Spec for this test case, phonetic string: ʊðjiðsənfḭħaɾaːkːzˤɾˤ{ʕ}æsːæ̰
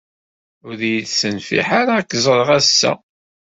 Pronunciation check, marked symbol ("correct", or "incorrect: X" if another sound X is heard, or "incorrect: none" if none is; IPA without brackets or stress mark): incorrect: ʁ